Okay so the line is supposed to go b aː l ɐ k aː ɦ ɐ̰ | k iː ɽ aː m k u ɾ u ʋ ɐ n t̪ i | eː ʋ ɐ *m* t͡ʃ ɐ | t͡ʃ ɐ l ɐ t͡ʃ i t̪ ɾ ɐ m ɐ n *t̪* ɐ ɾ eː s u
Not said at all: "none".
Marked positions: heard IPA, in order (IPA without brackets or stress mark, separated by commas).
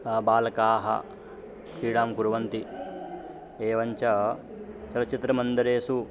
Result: ɲ, d̪